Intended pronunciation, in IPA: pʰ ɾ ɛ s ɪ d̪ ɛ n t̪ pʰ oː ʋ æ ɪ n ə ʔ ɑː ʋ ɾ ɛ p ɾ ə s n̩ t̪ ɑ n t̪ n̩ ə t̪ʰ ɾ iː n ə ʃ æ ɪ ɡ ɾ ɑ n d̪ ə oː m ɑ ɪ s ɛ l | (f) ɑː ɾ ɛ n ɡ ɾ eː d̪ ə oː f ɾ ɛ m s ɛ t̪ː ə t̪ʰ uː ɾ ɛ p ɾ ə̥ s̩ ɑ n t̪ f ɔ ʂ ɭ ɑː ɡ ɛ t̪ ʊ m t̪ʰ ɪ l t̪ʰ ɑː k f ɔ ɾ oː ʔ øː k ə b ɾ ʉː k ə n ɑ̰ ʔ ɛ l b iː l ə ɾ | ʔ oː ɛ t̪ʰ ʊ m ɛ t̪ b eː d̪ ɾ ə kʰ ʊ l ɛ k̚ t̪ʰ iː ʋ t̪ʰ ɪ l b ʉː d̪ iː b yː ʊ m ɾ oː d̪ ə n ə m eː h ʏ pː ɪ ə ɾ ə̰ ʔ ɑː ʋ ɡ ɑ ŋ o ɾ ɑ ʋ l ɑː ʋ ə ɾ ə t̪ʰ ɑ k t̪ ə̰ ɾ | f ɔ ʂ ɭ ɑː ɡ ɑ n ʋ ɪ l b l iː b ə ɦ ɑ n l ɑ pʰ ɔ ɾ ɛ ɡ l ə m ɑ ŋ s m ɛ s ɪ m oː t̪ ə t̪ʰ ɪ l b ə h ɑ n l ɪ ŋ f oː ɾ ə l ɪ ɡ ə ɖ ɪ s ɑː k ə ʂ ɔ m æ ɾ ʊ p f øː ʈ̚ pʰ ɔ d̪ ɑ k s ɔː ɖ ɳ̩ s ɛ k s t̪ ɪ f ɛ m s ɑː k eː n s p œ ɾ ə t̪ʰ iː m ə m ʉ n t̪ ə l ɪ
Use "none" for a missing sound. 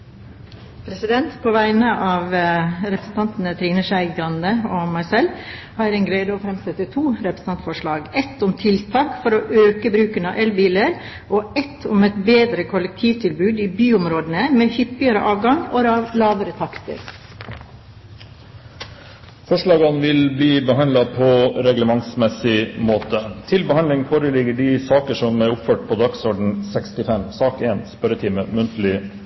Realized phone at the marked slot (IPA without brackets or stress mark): h